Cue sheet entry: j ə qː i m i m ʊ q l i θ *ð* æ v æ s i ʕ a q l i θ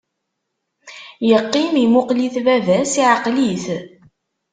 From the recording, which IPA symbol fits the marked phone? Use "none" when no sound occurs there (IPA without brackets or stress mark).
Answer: v